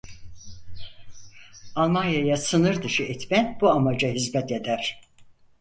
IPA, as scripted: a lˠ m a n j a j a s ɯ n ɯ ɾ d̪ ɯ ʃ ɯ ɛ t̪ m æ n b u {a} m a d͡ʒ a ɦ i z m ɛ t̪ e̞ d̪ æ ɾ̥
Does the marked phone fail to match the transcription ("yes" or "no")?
no